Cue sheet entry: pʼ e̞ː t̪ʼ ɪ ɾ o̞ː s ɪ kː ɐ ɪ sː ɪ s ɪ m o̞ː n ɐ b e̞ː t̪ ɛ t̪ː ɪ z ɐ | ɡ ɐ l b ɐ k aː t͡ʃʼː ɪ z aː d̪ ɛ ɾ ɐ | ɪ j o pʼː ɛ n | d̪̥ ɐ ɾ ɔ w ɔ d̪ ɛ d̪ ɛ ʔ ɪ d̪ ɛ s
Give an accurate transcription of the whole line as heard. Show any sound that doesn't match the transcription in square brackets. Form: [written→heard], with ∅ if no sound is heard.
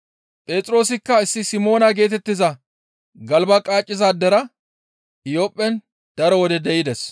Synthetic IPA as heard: pʼ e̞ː t̪ʼ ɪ ɾ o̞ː s ɪ kː ɐ ɪ sː ɪ s ɪ m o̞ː n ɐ [b→ɡ] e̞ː t̪ ɛ t̪ː ɪ z ɐ | ɡ ɐ l b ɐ [k→kʼ] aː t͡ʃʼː ɪ z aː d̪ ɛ ɾ ɐ | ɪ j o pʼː ɛ n | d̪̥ ɐ ɾ ɔ w ɔ d̪ ɛ d̪ ɛ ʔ ɪ d̪ ɛ s